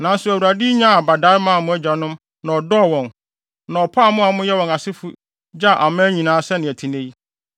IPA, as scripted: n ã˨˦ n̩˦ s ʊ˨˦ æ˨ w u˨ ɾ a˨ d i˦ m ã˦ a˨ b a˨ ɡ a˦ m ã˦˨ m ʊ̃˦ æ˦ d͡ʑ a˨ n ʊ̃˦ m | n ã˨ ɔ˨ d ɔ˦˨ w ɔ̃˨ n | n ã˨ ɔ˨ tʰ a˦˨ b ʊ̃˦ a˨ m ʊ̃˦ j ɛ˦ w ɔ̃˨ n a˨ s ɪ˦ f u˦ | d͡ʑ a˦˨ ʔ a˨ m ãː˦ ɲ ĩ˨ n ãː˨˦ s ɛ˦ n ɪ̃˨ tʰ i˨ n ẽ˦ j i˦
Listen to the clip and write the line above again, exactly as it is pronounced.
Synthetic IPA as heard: n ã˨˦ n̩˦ s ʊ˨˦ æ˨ w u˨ ɾ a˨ d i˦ ɲ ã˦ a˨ b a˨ d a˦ m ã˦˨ m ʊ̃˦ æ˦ d͡ʑ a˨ n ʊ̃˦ m | n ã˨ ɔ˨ d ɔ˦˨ w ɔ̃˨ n | n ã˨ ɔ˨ pʰ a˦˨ m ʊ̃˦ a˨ m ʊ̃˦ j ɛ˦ w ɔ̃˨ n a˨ s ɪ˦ f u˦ | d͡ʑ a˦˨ ʔ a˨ m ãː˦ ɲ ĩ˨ n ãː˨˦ s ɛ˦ n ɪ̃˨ tʰ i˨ n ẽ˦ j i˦